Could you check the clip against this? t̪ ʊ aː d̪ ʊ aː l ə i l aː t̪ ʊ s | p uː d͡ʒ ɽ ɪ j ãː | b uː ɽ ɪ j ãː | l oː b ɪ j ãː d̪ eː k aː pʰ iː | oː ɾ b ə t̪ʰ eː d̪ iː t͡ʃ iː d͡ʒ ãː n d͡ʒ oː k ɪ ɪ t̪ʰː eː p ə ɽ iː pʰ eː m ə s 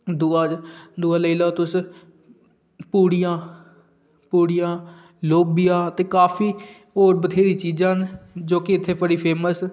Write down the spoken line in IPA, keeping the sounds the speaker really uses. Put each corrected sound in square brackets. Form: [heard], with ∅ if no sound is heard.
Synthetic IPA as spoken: [d̪] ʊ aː d̪ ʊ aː l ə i l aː t̪ ʊ s | p uː [∅] ɽ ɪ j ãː | [p] uː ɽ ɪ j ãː | l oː b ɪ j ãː [t̪] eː k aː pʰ iː | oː ɾ b ə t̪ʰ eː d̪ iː t͡ʃ iː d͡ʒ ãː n d͡ʒ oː k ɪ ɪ t̪ʰː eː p ə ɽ iː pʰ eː m ə s